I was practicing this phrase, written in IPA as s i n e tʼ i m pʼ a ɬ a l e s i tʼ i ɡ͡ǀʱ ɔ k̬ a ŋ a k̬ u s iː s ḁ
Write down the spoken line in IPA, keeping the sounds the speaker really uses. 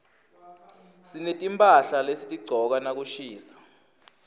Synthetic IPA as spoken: s i n e tʼ i m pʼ a ɬ a l e s i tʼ i ɡ͡ǀʱ ɔ k̬ a n a k̬ u ʃ iː s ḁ

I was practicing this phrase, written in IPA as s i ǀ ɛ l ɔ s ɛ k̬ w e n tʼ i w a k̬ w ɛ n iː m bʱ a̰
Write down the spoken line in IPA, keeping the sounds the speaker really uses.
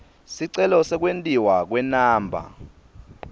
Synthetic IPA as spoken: s i ǀ ɛ l ɔ s ɛ k̬ w e n tʼ i w a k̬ w ɛ n aː m bʱ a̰

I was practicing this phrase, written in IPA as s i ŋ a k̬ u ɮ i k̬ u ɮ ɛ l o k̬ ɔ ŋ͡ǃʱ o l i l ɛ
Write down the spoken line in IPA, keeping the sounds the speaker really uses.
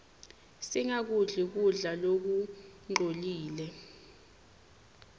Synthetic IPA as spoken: s i ŋ a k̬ u ɮ i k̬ u ɮ a l o k̬ u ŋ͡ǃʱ o l iː l ɛ

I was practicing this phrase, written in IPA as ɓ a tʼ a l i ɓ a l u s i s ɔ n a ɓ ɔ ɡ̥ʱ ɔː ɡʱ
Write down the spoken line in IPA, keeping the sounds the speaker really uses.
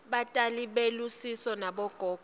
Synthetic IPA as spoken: ɓ a tʼ a l i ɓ e l u s i s ɔ n a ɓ ɔ ɡ̥ʱ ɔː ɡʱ

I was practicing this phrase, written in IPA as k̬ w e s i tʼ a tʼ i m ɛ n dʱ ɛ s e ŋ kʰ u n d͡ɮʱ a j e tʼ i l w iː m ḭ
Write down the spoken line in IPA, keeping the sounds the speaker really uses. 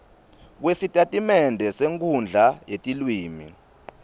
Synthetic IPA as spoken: k̬ w e s i tʼ a tʼ i m ɛ n dʱ ɛ s e ŋ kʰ u n d͡ɮʱ a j e tʼ i l w iː m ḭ

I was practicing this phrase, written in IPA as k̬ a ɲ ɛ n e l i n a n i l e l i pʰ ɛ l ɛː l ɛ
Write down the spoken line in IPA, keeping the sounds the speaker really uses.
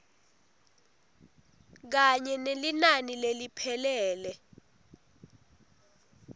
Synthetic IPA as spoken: k̬ a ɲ ɛ n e l i n a n i l e l i pʰ ɛ l ɛː l ɛ

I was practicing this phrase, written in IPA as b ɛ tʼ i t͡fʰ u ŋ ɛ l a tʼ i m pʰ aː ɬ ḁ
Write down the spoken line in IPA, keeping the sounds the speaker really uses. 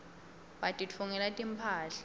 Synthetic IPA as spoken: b a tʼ i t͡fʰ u ŋ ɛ l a tʼ i m pʰ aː ɬ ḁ

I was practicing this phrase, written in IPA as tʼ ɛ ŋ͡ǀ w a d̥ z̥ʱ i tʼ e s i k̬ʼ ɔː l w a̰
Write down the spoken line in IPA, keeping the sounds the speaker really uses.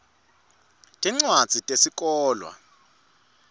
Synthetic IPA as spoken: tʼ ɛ ŋ͡ǀ w a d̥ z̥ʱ i tʼ e s i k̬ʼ ɔː l w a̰

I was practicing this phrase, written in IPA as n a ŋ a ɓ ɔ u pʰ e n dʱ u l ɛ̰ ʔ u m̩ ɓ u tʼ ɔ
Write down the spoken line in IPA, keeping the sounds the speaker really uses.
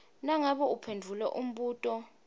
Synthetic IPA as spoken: n a ŋ a ɓ ɔ u pʰ e n dʱ u l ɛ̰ ʔ u m̩ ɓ uː tʼ ɔ

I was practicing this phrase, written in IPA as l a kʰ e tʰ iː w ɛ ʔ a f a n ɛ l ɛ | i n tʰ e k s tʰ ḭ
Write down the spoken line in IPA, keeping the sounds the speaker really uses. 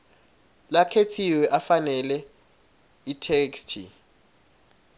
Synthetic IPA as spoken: l a kʰ e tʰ i w ɛ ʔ a f a n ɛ l ɛ | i tʰ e k s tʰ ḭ

